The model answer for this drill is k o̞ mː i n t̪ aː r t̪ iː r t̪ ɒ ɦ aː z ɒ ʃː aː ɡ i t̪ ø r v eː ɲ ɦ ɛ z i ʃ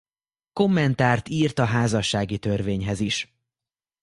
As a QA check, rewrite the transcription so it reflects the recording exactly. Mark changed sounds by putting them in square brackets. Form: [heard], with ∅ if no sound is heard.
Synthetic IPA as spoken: k o̞ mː [ɛ] n t̪ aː r t̪ iː r t̪ ɒ ɦ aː z ɒ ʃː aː ɡ i t̪ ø r v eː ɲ ɦ ɛ z i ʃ